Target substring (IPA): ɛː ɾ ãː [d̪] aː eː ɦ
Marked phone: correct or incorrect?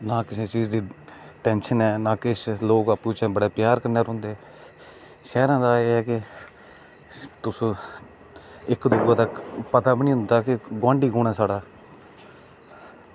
correct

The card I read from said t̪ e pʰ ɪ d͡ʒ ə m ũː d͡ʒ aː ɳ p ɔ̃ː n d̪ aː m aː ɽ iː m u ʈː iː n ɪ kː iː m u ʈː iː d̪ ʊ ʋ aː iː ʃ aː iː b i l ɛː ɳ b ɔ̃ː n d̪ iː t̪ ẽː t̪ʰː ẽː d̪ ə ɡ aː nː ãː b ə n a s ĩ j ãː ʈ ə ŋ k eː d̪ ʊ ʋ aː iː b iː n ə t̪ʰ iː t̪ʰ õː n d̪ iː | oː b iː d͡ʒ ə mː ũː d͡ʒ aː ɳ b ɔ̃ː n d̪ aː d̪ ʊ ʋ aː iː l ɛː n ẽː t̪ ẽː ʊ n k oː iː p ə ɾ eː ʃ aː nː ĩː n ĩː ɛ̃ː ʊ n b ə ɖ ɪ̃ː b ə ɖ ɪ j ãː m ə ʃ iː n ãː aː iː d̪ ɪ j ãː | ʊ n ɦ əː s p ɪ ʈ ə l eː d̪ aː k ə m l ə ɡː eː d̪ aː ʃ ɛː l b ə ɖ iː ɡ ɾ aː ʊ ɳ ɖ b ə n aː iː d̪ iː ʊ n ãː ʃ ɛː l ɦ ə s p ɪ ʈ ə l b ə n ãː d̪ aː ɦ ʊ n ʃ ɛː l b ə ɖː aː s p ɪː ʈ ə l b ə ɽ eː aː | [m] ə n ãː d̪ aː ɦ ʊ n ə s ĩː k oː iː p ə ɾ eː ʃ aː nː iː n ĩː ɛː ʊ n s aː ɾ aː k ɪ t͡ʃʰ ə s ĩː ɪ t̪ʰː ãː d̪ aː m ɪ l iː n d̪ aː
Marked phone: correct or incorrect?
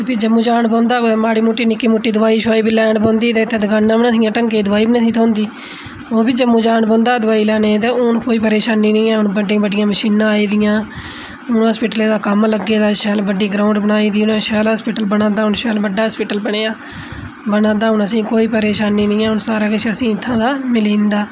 incorrect: b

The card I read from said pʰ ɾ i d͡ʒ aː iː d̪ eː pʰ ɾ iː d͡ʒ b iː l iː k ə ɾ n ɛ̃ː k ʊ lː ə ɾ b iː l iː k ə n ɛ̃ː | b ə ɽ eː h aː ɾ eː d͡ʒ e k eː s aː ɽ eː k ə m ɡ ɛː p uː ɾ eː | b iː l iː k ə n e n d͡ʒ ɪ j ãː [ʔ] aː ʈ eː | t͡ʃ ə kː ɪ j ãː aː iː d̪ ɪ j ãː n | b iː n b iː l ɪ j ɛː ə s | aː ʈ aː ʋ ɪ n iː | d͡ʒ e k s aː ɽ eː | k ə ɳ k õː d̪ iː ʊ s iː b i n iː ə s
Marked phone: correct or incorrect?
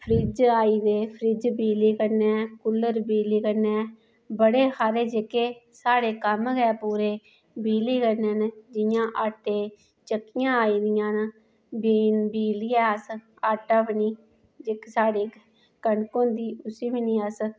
correct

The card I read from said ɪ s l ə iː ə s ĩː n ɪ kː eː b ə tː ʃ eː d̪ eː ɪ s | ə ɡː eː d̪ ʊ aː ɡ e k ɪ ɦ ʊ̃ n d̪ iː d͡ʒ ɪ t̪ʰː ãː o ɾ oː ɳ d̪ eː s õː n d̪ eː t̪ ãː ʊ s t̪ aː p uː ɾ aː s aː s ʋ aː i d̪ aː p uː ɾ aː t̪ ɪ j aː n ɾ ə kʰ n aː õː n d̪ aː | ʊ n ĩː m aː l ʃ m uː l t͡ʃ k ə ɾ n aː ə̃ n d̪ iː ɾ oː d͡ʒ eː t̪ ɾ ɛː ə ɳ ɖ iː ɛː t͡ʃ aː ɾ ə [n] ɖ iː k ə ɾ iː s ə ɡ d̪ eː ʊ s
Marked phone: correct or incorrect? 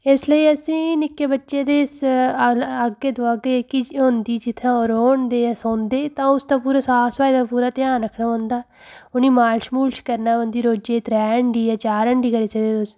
incorrect: ɳ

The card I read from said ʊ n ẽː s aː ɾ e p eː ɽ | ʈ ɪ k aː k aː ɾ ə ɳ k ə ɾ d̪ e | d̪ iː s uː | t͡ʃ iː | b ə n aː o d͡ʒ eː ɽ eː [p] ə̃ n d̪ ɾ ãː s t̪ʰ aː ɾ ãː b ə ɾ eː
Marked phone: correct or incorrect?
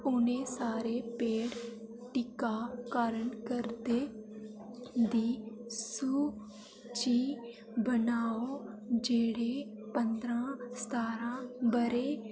correct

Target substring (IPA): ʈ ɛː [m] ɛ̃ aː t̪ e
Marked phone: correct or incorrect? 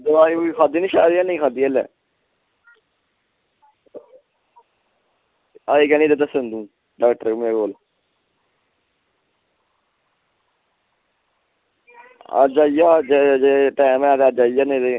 correct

